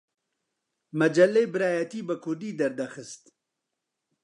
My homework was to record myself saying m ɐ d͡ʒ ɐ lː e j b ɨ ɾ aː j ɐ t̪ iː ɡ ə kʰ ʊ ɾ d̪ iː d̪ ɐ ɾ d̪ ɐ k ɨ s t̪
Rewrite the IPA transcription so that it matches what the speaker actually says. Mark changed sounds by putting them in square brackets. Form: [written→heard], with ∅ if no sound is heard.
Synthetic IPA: m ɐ d͡ʒ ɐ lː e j b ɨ ɾ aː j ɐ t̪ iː [ɡ→b] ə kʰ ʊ ɾ d̪ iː d̪ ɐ ɾ d̪ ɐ [k→x] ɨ s t̪